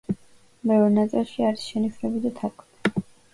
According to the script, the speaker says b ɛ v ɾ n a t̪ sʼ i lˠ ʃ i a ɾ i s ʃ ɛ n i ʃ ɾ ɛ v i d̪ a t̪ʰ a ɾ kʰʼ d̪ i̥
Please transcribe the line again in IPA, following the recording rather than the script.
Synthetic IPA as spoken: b ɛ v ɾ n a t̪ sʼ i lˠ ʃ i a ɾ i s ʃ ɛ n i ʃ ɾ ɛ b i d̪ a t̪ʰ a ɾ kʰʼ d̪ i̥